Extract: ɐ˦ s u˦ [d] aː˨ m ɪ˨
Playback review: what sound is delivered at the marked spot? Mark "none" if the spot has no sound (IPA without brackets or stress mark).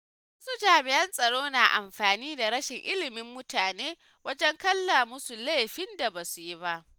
d͡ʒ